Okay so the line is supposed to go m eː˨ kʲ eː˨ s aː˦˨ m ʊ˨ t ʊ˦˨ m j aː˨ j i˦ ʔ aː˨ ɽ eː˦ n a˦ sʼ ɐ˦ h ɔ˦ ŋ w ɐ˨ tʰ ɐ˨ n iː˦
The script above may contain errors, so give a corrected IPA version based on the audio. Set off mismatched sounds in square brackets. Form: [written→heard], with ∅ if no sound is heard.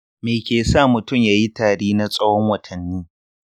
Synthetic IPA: m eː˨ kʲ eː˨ s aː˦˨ m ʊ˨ t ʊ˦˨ m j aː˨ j i˦ [ʔ→t] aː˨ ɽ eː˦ n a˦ sʼ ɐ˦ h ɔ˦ ŋ w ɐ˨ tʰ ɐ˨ [n→nː] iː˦